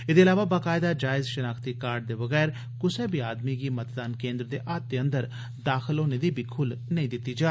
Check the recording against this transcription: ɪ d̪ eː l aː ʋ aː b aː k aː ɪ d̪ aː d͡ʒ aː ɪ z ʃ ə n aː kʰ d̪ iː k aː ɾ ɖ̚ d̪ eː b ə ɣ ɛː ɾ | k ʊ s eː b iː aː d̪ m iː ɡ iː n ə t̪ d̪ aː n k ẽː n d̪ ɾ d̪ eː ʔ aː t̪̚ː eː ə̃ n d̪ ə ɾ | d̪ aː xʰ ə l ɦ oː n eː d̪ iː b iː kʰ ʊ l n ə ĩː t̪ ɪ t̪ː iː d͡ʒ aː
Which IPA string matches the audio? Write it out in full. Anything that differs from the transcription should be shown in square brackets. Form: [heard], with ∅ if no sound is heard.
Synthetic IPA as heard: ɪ d̪ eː l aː ʋ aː b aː k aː ɪ d̪ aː d͡ʒ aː ɪ z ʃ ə n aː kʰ [t̪] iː k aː ɾ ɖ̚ d̪ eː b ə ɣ ɛː ɾ | k ʊ s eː b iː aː d̪ m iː ɡ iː [m] ə t̪ d̪ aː n k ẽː n d̪ ɾ d̪ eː ʔ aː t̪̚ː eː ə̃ n d̪ ə ɾ | d̪ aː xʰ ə l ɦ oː n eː d̪ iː b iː kʰ ʊ l n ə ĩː [d̪] ɪ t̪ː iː d͡ʒ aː

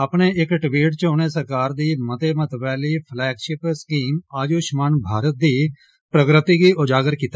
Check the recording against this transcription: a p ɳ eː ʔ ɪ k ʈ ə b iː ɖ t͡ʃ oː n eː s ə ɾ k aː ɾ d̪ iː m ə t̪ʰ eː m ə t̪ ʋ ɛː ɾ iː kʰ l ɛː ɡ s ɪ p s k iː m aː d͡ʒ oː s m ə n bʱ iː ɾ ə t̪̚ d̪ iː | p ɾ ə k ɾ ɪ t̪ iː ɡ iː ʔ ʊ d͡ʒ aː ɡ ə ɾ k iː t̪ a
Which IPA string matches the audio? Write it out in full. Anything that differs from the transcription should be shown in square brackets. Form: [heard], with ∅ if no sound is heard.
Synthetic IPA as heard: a p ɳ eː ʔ ɪ k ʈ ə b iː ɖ t͡ʃ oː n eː s ə ɾ k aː ɾ d̪ iː m ə [t̪] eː m ə t̪ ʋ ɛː [l] iː [pʰ] l ɛː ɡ [ʃ] ɪ p s k iː m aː d͡ʒ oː [ʃ] m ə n bʱ [aː] ɾ ə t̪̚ d̪ iː | p ɾ ə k ɾ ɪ t̪ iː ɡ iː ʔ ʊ d͡ʒ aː ɡ ə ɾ k iː t̪ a

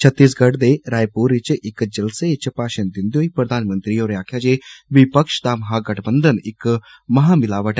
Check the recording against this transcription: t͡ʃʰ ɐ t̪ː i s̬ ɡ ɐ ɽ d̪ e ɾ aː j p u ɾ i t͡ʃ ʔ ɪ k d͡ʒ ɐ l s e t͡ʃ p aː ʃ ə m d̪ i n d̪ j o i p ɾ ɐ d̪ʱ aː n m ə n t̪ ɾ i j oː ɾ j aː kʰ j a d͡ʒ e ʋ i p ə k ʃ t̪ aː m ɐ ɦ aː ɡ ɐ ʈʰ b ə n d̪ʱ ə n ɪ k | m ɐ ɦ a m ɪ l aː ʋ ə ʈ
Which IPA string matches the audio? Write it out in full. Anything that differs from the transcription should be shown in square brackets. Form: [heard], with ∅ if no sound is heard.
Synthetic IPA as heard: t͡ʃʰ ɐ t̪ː i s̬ ɡ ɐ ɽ d̪ e ɾ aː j p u ɾ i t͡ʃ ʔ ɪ k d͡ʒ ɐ l s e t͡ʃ p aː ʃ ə [n] d̪ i n d̪ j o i p ɾ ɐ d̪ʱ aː n m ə n t̪ ɾ i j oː ɾ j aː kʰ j a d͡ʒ e ʋ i p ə k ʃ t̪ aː m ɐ ɦ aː ɡ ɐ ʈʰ b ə n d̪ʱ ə n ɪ k | m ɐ ɦ a m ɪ l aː ʋ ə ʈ

